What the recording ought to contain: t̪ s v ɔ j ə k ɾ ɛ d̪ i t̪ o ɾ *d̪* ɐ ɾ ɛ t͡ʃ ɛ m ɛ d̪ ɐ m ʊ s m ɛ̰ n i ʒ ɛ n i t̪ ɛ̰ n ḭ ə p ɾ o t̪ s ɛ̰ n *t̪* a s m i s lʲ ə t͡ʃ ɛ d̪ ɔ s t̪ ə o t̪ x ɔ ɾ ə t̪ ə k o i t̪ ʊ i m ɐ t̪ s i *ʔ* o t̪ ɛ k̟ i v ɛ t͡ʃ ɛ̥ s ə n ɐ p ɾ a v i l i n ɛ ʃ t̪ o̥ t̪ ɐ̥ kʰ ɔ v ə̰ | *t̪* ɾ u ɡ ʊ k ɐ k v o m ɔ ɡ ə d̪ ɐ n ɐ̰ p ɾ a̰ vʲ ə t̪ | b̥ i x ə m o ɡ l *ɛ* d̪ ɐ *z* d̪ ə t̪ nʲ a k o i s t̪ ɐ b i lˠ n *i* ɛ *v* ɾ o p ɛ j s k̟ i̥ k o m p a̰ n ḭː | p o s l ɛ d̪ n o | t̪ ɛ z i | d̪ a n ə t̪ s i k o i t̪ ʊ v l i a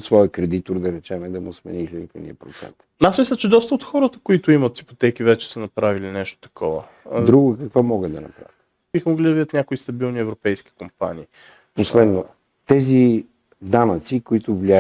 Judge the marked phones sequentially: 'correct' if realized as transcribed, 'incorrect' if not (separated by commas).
correct, correct, incorrect, incorrect, incorrect, incorrect, correct, correct